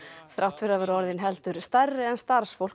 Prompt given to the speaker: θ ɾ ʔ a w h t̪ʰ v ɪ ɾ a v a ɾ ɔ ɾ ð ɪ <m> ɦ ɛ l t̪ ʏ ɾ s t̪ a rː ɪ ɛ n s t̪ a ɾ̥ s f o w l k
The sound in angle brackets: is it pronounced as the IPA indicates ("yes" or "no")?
no